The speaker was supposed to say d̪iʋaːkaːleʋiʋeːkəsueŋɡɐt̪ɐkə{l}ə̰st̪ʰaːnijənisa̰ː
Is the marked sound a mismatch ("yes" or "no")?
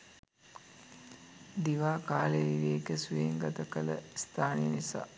no